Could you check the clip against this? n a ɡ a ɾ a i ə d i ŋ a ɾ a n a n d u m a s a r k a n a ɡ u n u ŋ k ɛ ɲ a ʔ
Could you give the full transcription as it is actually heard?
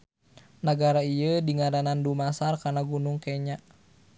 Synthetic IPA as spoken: n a ɡ a ɾ a i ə d i ŋ a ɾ a n a n d u m a s a r k a n a ɡ u n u ŋ k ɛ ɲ a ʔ